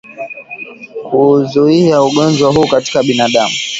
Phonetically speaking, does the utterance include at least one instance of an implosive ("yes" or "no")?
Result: yes